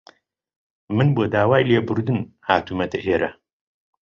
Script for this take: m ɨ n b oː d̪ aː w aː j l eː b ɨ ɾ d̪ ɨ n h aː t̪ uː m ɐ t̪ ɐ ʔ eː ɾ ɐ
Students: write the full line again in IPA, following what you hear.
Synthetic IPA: m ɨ n b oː d̪ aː w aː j l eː b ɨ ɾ d̪ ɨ n h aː t̪ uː m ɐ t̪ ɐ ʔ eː ɾ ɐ